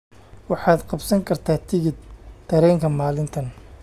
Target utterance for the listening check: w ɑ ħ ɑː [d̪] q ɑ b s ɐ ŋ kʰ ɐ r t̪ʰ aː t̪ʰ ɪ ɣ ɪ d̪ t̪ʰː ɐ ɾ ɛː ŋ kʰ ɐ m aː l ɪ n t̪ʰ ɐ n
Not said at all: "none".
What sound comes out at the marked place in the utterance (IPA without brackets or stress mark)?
d̪